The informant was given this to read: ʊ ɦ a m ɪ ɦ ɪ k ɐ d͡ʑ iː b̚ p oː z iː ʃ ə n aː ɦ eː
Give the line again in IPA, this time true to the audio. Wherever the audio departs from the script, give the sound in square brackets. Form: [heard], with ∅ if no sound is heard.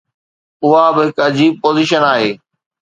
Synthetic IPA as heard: ʊ ɦ a [b] ɪ ɦ ɪ k ɐ d͡ʑ iː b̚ p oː z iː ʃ ə n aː ɦ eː